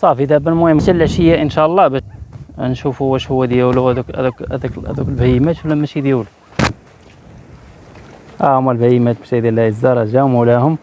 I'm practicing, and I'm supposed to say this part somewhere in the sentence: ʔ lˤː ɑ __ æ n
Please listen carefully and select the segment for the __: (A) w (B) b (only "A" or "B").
B